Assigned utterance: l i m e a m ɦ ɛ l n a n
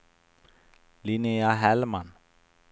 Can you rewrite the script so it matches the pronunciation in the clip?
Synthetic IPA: l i n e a ɦ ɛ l m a n